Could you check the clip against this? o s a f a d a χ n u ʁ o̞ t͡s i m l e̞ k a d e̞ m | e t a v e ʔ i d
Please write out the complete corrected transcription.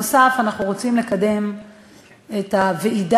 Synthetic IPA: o s a f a n a χ n u ʁ o̞ t͡s i m l e̞ k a d e̞ m | e t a v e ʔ i d